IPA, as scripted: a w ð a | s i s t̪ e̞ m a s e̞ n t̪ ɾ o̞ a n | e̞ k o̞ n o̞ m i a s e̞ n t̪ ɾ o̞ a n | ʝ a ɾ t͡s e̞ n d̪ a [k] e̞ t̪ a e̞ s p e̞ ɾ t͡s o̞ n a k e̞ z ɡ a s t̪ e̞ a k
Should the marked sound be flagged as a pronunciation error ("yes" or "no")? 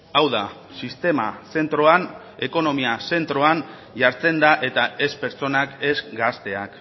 yes